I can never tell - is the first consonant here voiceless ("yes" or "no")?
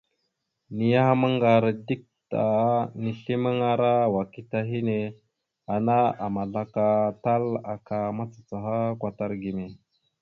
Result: no